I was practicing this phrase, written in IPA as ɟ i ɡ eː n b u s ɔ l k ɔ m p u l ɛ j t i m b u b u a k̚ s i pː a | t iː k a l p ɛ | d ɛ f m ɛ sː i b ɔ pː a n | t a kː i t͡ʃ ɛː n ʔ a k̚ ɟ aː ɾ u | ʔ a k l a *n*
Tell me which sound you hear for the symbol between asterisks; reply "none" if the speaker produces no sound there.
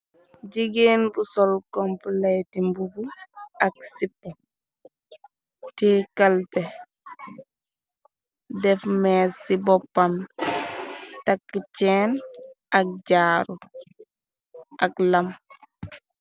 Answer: m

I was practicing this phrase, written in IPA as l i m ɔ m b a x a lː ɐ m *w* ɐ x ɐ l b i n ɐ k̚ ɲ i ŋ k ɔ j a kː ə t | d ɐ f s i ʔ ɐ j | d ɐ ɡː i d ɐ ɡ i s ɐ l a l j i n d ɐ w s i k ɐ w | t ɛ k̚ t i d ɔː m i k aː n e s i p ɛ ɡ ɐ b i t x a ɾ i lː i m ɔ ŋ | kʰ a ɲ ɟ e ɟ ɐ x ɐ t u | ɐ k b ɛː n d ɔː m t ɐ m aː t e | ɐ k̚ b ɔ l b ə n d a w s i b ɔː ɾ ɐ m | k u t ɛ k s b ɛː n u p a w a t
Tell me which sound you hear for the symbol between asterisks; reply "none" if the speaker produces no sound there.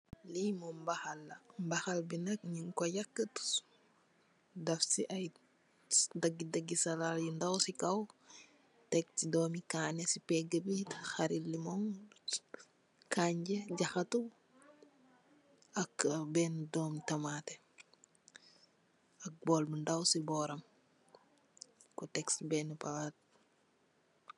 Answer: b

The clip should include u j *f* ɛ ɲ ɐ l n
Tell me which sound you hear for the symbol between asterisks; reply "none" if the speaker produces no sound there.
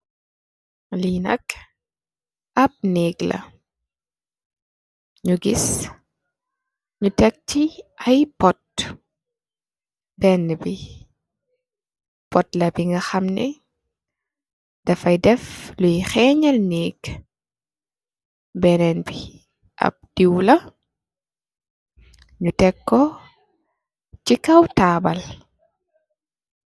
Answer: x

